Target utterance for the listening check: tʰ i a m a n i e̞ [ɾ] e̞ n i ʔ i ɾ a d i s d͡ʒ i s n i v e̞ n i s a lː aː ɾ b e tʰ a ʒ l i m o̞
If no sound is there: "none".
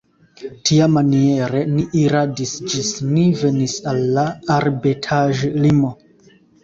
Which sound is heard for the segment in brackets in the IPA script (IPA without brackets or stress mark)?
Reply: ɾ